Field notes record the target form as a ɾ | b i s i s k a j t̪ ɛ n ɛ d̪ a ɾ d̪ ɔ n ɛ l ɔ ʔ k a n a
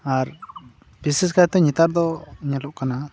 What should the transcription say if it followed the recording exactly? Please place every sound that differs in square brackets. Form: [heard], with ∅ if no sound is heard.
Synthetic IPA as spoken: a ɾ | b i s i s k a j t̪ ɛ [ɲ] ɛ [t̪] a ɾ d̪ ɔ [ɲ] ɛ l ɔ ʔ k a n a